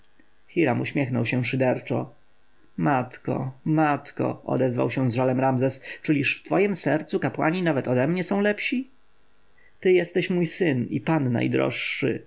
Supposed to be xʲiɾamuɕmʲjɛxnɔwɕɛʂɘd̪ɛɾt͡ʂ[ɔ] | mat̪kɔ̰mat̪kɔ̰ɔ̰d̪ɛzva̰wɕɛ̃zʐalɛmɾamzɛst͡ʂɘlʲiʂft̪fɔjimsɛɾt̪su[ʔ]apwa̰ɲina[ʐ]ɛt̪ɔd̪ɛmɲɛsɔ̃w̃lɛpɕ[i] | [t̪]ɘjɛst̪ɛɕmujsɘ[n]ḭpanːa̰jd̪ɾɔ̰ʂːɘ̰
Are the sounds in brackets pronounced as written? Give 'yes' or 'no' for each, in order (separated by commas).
yes, no, no, yes, yes, yes